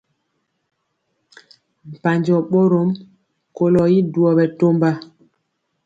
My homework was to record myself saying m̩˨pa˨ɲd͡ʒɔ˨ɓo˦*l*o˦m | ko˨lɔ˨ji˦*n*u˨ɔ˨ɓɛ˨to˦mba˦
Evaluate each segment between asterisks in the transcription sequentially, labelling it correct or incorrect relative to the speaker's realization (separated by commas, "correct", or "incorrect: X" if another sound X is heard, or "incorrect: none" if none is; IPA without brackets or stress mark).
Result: incorrect: ɾ, incorrect: d